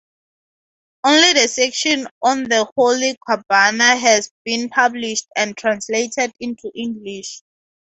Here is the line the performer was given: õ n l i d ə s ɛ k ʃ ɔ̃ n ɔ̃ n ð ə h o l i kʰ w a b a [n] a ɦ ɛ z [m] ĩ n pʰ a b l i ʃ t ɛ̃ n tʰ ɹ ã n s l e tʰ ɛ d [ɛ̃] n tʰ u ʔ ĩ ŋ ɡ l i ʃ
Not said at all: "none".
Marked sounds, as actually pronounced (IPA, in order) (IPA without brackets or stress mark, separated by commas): n, b, ĩ